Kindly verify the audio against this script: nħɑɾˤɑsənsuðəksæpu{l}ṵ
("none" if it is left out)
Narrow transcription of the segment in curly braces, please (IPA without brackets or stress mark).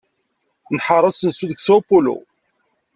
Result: l